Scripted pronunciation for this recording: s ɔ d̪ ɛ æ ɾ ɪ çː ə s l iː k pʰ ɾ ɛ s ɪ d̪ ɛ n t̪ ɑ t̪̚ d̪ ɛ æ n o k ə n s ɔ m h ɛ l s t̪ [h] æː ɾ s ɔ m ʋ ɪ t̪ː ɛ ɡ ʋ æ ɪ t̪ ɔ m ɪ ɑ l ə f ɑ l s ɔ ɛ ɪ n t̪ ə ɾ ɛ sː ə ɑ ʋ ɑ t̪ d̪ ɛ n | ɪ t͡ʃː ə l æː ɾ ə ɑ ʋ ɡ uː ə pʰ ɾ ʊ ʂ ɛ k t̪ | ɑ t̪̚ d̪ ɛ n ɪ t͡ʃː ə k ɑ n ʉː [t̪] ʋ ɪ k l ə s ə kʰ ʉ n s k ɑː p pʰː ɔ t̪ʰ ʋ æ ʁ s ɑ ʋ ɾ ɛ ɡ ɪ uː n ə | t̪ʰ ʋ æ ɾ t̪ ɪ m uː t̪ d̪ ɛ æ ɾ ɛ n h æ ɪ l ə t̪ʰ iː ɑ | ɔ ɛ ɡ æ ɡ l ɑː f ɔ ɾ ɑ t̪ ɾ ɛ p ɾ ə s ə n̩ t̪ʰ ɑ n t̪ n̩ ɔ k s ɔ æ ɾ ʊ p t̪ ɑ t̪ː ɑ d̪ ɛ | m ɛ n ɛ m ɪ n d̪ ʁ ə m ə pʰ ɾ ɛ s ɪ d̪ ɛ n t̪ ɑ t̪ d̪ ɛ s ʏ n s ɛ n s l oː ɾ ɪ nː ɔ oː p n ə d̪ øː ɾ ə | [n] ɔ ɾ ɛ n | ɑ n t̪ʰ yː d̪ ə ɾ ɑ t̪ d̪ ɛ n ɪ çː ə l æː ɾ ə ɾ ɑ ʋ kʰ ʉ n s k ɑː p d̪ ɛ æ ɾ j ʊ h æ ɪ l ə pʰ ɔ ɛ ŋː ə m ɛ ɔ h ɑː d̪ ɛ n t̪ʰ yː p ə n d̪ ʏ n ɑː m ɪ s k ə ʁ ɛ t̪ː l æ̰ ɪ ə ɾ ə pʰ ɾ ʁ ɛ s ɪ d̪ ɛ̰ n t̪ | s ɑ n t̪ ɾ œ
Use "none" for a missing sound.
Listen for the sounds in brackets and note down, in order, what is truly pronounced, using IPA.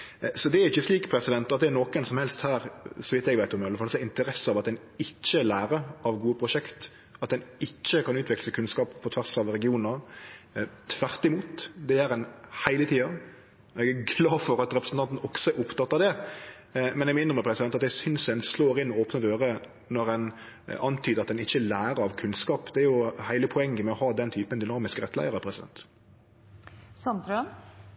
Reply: h, t̪, n

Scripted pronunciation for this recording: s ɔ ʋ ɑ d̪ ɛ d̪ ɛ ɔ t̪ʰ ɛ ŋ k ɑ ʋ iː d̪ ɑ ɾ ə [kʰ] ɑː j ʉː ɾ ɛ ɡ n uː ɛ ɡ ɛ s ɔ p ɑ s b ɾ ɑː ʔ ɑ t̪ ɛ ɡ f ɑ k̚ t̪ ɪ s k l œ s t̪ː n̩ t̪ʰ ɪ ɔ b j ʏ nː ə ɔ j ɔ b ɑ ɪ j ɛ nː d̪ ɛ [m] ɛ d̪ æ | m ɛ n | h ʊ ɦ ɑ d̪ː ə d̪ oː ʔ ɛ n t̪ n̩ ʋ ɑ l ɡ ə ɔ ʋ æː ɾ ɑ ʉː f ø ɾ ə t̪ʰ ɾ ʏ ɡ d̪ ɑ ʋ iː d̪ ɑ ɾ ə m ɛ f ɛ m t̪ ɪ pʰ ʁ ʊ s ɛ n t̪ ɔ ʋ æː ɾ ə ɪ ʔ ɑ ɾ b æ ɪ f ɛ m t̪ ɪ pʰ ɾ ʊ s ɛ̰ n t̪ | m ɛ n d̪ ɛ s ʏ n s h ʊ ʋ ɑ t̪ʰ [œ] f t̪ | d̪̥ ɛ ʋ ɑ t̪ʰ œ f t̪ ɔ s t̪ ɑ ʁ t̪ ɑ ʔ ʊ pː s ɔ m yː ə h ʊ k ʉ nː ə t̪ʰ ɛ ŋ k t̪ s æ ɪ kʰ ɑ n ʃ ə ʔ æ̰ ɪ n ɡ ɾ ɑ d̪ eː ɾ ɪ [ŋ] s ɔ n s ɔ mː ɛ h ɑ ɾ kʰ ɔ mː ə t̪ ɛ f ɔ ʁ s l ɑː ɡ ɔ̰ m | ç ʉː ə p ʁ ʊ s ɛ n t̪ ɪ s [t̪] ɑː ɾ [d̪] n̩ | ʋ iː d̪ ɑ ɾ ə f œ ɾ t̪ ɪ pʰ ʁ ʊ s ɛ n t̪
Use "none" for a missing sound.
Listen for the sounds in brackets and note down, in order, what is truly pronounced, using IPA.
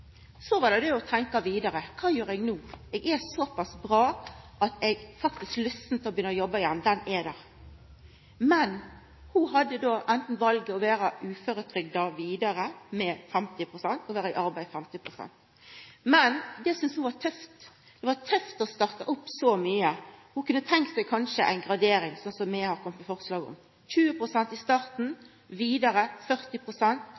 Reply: kʰ, n, œ, ŋ, t̪, t̪

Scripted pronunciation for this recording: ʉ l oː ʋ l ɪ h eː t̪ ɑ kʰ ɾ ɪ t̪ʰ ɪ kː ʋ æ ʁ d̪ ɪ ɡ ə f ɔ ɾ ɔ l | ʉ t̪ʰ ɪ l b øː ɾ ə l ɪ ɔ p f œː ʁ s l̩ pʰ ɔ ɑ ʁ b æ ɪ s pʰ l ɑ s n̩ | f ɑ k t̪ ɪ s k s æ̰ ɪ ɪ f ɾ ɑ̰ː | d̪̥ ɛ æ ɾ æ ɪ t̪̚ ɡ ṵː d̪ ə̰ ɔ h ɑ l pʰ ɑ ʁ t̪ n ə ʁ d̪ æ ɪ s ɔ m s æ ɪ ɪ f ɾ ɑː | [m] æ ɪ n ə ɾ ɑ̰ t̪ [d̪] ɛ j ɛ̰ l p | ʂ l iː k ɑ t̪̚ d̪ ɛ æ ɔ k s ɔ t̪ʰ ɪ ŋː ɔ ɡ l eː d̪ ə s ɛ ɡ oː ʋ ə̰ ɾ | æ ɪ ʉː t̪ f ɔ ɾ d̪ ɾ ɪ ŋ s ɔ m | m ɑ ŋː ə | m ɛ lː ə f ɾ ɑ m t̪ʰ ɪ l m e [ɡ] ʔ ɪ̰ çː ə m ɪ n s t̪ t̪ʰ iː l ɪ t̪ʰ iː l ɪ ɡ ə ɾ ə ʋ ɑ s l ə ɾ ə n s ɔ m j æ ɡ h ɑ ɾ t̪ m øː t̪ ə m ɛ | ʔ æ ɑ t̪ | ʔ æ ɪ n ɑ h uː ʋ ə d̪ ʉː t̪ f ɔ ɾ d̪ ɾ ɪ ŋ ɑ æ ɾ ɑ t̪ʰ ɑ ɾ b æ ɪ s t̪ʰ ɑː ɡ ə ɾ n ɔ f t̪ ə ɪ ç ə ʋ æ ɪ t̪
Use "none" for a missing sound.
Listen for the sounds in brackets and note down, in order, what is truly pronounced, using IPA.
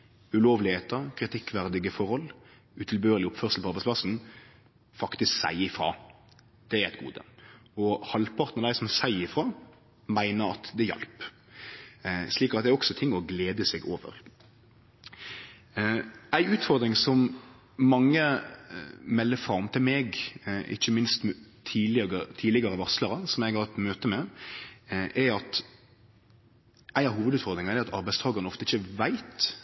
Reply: m, d̪, ɡ

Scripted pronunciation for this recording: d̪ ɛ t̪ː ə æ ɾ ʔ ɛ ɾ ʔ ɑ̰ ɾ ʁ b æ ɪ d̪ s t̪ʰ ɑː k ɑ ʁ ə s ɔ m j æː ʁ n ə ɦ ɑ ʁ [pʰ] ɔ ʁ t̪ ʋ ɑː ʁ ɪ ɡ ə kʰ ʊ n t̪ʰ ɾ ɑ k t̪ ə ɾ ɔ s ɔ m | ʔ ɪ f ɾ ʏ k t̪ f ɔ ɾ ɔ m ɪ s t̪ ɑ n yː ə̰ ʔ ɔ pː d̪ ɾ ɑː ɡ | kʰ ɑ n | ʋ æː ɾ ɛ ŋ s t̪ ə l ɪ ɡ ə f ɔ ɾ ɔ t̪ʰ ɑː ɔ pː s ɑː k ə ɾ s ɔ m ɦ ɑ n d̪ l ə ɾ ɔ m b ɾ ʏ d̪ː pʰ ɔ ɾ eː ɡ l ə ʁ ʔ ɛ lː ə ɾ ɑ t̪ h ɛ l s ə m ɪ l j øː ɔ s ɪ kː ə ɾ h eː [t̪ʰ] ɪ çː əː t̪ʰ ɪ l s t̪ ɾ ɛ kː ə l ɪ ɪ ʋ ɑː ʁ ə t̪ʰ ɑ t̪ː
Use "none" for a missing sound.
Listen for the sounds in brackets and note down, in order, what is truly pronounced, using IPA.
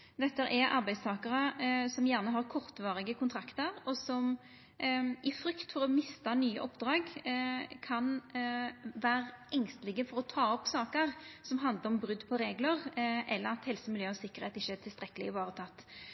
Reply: kʰ, t̪

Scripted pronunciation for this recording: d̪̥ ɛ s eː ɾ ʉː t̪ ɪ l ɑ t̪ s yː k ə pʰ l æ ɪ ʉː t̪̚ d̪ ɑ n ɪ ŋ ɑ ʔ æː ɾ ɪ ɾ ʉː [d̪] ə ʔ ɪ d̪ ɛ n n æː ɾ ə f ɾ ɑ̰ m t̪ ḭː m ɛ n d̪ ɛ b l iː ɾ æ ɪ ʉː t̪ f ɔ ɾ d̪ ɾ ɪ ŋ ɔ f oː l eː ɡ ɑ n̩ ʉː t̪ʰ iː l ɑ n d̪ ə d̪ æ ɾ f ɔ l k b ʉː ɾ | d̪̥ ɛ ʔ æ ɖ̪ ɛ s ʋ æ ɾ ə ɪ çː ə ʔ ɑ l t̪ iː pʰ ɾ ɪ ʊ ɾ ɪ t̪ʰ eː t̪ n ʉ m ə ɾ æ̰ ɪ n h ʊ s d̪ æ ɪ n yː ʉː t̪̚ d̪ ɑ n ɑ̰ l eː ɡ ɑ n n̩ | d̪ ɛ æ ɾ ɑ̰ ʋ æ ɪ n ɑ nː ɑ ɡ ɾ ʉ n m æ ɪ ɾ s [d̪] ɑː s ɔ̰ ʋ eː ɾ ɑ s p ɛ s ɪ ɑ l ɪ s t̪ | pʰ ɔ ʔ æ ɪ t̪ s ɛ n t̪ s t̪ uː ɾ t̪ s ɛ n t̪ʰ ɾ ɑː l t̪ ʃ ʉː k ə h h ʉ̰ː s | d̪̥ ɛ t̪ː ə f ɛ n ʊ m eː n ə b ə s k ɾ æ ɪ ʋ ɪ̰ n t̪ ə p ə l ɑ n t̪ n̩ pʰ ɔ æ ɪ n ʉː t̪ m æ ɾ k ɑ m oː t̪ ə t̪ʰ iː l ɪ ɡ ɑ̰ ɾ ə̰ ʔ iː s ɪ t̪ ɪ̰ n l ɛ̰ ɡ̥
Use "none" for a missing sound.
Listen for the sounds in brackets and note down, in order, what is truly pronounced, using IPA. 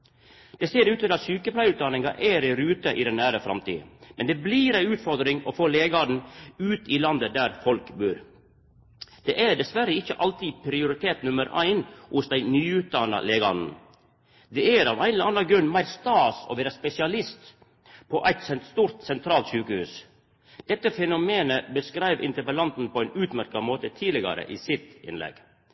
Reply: t̪, t̪

